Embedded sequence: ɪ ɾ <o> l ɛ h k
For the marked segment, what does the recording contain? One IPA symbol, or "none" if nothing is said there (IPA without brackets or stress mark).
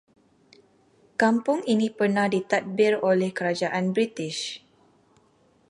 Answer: o